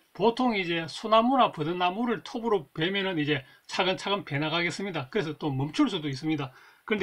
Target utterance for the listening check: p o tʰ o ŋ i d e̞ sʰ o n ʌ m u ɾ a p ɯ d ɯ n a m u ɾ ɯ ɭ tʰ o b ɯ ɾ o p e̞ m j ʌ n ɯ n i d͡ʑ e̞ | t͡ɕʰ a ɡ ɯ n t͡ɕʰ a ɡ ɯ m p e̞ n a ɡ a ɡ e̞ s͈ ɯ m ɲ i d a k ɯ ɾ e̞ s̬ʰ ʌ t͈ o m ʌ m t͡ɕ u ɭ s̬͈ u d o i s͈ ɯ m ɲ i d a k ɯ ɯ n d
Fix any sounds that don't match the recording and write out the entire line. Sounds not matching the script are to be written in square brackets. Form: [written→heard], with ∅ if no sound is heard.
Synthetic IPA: p o tʰ o ŋ i [d→d͡ʑ] e̞ sʰ o n [ʌ→a] m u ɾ a p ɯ d ɯ n a m u ɾ ɯ ɭ tʰ o b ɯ ɾ o p e̞ m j ʌ n ɯ n i d͡ʑ e̞ | t͡ɕʰ a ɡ ɯ n t͡ɕʰ a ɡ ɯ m p e̞ n a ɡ a ɡ e̞ s͈ ɯ m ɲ i d a k ɯ ɾ e̞ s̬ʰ ʌ t͈ o m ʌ m [t͡ɕ→t͡ɕʰ] u ɭ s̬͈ u d o i s͈ ɯ m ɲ i d a k ɯ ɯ n d